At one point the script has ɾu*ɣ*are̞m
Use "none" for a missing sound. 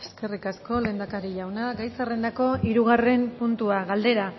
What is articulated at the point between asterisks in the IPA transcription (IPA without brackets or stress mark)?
ɣ